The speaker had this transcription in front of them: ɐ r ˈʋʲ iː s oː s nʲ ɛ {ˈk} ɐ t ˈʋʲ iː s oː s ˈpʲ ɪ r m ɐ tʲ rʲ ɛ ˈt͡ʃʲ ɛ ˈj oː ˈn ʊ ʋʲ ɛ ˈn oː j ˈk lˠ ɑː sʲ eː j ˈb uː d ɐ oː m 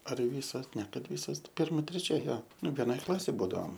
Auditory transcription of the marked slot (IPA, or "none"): k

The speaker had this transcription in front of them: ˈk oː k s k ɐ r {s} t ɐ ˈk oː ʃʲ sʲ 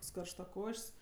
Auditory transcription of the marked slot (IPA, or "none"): ʃ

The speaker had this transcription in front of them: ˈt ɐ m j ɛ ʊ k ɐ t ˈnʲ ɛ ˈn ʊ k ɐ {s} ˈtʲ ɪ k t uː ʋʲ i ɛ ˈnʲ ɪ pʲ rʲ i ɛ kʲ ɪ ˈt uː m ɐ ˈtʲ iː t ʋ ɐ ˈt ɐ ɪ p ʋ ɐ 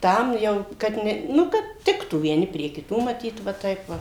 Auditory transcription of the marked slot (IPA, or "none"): t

